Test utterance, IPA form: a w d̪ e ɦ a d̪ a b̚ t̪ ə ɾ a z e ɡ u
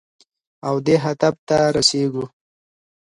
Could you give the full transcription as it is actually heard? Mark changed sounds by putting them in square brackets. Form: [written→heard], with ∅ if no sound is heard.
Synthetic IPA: a w d̪ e ɦ a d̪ a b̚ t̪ [ə→a] ɾ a [z→s] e ɡ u